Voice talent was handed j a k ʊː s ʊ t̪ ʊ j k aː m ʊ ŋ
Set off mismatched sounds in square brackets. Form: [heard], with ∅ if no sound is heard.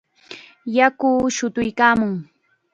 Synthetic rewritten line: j a k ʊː [ʃ] ʊ t̪ ʊ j k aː m ʊ ŋ